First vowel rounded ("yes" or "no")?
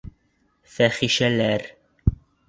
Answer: no